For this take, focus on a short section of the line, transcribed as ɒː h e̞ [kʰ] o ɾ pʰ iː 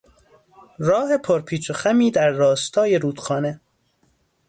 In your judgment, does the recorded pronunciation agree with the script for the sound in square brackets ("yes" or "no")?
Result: no